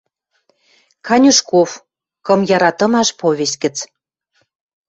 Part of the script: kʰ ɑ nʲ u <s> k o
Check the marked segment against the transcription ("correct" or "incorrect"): incorrect